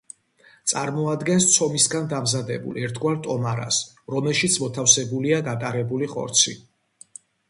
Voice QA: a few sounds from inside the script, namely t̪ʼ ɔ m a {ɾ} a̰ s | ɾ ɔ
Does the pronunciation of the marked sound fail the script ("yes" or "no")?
no